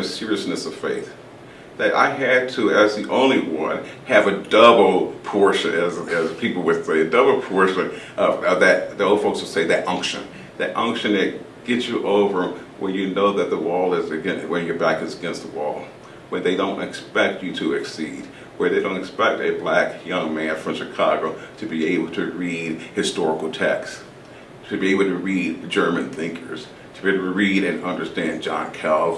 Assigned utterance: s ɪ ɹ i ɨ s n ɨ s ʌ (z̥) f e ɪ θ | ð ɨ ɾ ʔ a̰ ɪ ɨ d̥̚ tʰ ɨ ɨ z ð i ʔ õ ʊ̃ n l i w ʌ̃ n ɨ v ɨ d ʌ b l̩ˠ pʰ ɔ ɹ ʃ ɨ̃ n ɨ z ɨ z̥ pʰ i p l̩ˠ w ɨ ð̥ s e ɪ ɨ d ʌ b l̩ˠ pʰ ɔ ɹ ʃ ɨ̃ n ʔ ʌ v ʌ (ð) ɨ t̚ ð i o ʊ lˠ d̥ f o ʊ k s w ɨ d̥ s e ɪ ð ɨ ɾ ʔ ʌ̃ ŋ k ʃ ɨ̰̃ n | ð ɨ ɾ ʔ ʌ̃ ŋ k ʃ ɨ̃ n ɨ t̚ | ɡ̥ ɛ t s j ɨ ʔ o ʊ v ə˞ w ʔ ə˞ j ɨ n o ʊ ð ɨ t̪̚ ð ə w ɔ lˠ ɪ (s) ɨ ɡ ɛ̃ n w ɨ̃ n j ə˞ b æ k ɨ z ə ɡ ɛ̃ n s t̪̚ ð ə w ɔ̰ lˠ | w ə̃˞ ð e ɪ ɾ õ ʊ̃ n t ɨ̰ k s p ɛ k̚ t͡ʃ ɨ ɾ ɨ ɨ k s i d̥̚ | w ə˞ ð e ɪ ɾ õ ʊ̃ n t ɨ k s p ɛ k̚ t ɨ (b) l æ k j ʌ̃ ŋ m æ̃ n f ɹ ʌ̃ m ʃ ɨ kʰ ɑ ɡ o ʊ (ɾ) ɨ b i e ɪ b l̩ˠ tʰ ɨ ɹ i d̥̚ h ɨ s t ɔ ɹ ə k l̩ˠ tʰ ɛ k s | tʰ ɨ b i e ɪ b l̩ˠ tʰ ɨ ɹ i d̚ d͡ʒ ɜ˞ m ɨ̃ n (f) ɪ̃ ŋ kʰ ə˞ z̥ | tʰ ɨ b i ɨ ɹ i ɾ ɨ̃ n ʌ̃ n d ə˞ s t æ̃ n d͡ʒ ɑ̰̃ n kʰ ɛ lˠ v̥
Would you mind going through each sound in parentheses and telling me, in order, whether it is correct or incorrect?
incorrect: v̥, correct, incorrect: z, correct, correct, incorrect: θ

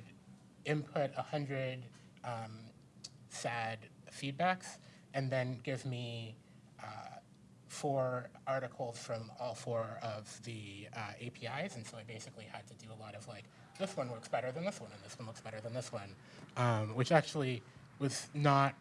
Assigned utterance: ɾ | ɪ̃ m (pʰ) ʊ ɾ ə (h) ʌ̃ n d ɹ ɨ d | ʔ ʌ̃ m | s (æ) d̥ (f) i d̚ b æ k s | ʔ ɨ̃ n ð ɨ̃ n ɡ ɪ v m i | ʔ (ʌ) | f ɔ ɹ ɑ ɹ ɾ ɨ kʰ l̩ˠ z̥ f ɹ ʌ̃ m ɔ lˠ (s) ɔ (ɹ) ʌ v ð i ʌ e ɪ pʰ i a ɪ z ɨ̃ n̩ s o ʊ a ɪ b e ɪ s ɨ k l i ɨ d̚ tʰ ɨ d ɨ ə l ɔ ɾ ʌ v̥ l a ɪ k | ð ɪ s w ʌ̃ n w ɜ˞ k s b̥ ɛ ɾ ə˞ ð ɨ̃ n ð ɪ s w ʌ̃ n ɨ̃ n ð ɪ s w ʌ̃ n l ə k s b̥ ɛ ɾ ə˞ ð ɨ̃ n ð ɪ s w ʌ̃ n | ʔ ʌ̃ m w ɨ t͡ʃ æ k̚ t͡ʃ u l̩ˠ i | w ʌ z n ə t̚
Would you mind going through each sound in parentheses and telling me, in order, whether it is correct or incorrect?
correct, correct, correct, correct, correct, incorrect: f, correct

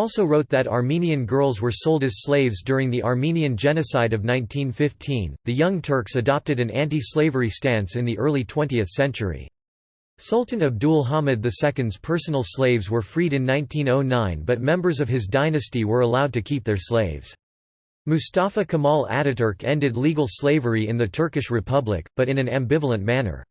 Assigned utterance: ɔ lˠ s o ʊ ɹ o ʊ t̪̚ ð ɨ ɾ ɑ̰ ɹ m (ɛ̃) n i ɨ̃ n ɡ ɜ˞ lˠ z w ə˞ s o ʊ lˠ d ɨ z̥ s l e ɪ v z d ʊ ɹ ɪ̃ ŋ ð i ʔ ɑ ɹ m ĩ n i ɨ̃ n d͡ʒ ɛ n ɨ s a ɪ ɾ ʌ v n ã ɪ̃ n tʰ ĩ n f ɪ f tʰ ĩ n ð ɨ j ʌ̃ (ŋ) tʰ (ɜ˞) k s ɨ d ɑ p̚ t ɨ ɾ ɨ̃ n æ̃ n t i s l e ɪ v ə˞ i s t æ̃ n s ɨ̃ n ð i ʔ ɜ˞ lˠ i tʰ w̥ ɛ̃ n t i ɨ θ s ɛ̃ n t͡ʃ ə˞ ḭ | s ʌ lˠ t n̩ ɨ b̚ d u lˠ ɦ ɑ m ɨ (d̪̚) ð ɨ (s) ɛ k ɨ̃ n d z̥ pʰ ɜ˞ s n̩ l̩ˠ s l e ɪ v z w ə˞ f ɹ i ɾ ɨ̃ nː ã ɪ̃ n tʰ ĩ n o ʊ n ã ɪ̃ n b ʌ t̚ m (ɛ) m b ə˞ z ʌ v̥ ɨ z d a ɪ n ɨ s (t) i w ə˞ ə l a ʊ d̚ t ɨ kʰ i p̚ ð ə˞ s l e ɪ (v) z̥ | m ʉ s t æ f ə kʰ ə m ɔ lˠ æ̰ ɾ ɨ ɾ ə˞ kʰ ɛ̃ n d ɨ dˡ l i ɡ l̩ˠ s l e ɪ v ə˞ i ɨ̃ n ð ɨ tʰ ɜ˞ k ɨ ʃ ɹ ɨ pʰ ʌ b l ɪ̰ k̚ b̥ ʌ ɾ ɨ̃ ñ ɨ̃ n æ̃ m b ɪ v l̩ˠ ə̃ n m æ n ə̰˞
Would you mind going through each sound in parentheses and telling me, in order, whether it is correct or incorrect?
incorrect: ĩ, correct, correct, correct, correct, incorrect: ɛ̃, correct, correct

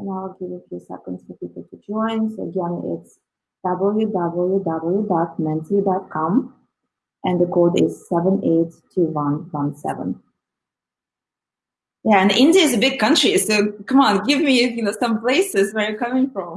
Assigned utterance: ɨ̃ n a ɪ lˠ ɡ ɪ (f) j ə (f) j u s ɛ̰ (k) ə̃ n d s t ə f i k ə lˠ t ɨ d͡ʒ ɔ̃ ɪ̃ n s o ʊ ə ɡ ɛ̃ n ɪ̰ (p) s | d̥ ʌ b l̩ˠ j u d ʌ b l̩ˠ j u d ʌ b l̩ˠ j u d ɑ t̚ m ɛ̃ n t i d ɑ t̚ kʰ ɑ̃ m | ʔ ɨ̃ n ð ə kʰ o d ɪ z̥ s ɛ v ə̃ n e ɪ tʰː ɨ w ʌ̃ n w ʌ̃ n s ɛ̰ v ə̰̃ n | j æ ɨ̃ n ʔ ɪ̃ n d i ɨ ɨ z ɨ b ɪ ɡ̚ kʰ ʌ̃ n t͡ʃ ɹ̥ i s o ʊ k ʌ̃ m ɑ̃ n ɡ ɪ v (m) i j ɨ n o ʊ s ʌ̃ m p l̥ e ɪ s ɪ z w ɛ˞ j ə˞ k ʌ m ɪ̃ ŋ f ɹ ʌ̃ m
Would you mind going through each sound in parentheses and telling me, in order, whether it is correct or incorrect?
incorrect: v, correct, correct, incorrect: t, correct

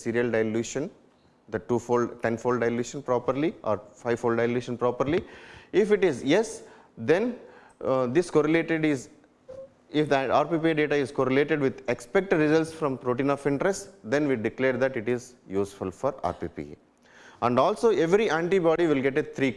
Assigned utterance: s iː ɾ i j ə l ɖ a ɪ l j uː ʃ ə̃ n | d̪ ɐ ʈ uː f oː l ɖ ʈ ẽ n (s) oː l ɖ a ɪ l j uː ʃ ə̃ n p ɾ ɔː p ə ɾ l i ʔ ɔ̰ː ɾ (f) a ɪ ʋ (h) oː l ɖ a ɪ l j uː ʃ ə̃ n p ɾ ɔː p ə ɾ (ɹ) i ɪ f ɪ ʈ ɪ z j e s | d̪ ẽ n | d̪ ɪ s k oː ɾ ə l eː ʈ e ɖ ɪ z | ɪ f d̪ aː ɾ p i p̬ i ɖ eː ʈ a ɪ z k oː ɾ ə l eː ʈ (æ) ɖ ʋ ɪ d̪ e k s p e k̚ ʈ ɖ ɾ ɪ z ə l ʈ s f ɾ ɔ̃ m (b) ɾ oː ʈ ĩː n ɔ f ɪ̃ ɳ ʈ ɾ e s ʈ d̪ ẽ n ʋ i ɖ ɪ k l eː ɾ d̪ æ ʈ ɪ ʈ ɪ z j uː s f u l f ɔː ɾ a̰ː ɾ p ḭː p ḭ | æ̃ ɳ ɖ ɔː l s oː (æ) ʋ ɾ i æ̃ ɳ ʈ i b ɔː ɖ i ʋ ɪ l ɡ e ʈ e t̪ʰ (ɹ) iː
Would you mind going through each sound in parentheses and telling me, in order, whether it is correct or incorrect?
incorrect: f, correct, incorrect: f, incorrect: l, incorrect: e, incorrect: p, incorrect: e, incorrect: ɾ

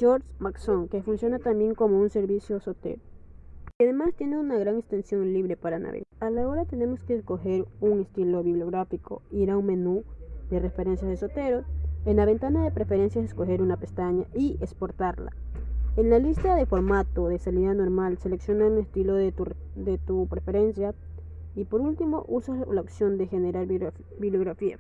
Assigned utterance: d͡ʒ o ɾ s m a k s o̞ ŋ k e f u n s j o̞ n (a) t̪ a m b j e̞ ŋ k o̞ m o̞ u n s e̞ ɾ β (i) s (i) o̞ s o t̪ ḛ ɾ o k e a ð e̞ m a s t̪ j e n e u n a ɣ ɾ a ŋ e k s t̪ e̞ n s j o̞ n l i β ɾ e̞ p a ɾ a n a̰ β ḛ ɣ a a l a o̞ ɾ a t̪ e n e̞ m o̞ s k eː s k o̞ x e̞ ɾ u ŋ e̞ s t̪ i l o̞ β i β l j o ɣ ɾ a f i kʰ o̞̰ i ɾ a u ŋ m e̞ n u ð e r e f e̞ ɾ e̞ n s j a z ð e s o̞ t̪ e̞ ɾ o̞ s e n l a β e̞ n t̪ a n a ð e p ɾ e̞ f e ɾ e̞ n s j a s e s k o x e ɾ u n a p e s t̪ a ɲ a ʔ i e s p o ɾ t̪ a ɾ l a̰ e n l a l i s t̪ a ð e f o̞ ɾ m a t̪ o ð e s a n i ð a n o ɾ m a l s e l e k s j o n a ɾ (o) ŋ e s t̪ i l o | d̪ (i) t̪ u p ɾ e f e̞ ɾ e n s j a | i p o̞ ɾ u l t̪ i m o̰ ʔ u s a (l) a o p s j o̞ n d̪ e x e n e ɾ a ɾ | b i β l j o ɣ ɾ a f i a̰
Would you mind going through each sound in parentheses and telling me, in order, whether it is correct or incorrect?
correct, correct, incorrect: j, incorrect: u, incorrect: e, correct

